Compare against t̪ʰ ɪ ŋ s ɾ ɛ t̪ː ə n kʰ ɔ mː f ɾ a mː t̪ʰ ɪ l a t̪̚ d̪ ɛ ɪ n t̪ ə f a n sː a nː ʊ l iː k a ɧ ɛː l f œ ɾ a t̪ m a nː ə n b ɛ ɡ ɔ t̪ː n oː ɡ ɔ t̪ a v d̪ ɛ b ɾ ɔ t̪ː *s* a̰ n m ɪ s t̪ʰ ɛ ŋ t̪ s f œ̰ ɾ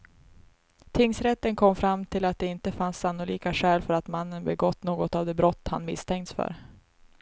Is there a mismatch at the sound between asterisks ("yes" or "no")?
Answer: yes